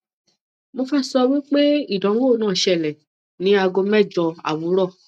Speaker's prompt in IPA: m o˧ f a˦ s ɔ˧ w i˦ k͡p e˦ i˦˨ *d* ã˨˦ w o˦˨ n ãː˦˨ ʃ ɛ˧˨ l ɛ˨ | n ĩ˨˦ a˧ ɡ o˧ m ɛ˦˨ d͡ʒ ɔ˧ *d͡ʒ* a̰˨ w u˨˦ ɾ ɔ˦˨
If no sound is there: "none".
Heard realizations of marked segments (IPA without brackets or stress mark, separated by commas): d, none